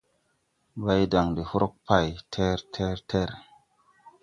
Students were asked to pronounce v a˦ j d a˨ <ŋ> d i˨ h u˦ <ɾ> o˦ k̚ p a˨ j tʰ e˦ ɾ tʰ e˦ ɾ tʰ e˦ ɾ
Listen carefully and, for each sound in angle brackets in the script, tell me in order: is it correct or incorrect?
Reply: correct, correct

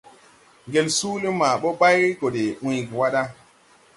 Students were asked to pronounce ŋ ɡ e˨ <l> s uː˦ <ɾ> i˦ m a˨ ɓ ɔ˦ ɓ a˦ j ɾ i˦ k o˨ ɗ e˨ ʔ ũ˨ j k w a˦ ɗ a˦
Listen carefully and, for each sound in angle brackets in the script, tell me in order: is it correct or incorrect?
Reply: correct, incorrect: l

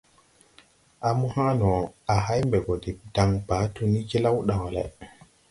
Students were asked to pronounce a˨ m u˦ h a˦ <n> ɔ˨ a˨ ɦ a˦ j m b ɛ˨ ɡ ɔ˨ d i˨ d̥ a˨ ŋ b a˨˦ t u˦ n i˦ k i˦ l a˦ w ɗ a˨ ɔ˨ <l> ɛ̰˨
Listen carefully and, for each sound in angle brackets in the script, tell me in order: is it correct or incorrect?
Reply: correct, correct

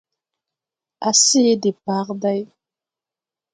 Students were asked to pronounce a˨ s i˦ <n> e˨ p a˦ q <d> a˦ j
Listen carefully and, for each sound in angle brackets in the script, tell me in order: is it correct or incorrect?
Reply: incorrect: d, correct

